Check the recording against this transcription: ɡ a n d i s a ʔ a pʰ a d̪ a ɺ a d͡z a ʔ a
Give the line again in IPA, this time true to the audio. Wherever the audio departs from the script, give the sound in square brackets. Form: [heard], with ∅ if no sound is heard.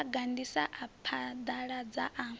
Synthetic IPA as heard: ɡ a n d i s a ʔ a pʰ a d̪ a ɺ a d͡z a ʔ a